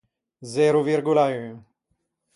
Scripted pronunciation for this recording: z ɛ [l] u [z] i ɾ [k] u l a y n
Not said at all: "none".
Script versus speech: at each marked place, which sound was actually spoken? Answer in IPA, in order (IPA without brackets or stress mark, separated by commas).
ɾ, v, ɡ